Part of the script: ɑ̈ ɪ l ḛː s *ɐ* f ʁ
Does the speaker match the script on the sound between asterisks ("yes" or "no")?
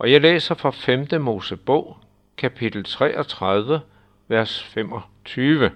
yes